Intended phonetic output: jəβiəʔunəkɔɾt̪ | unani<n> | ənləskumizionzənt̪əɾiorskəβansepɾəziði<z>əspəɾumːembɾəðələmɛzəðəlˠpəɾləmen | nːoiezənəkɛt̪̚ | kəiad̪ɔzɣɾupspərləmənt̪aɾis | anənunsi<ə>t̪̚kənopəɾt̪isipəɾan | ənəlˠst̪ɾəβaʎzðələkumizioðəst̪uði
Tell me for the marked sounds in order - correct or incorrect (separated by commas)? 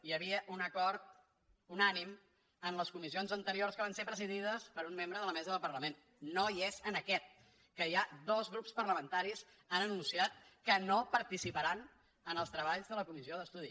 incorrect, incorrect, incorrect